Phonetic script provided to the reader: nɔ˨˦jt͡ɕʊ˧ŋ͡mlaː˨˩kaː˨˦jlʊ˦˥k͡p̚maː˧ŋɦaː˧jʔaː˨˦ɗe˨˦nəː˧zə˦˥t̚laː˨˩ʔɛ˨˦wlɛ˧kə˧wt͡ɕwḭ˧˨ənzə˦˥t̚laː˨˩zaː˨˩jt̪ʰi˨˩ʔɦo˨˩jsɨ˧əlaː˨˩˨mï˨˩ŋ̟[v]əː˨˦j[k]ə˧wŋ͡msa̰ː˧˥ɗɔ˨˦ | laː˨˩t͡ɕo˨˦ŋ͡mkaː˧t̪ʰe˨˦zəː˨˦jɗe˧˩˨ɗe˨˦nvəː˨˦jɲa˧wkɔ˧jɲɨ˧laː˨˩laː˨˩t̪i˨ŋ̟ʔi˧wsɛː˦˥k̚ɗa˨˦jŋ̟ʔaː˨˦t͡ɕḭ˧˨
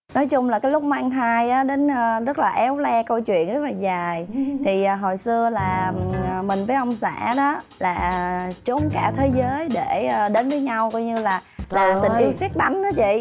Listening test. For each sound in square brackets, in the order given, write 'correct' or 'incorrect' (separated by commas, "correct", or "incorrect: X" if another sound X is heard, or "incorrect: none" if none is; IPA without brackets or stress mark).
correct, incorrect: ʔ